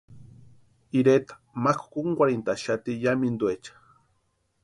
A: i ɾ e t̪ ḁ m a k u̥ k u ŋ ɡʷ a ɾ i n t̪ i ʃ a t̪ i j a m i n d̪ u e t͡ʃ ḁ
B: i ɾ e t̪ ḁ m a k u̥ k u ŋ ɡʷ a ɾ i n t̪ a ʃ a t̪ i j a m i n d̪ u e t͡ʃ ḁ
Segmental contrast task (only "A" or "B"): B